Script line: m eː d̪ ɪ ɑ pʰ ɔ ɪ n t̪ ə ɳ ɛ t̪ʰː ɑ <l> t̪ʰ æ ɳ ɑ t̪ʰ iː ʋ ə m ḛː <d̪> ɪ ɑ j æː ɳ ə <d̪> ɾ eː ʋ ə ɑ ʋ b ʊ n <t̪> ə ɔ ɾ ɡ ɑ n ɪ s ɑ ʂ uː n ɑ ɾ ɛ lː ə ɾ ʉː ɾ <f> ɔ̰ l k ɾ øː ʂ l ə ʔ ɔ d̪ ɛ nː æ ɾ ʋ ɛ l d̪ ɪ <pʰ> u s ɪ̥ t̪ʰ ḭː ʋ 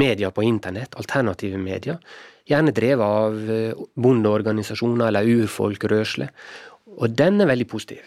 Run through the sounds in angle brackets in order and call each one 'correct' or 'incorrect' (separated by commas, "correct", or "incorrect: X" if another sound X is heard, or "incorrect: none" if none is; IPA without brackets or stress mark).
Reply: correct, correct, correct, incorrect: d̪, correct, correct